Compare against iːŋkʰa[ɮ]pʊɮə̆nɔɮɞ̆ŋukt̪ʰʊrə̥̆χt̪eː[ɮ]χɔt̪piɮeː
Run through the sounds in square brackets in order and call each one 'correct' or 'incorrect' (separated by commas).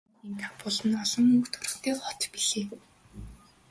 incorrect, incorrect